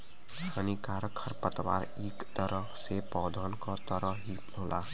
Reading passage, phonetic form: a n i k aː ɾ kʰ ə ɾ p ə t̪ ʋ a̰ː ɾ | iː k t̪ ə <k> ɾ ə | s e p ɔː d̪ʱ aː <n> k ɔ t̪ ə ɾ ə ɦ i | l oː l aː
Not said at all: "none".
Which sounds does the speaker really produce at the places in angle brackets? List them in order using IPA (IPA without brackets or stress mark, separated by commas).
none, n